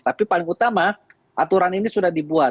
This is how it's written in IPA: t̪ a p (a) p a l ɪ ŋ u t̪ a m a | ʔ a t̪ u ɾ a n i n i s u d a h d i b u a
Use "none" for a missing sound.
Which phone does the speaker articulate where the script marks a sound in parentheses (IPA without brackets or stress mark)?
i